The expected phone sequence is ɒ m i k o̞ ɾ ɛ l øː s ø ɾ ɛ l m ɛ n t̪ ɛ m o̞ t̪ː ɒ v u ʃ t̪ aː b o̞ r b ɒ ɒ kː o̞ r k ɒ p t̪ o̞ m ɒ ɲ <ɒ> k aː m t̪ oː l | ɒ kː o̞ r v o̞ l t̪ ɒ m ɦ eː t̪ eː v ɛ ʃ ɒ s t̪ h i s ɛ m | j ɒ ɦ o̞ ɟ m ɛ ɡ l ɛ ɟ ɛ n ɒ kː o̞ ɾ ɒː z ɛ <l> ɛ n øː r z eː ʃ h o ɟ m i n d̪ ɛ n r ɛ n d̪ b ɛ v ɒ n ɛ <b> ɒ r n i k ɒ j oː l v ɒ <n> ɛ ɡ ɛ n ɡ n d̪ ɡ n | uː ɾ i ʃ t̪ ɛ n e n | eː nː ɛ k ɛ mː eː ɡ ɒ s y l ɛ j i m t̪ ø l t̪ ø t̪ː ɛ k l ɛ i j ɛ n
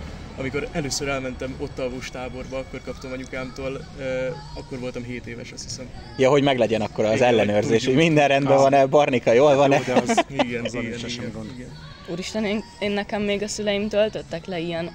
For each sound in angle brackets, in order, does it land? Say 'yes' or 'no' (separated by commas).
no, no, yes, yes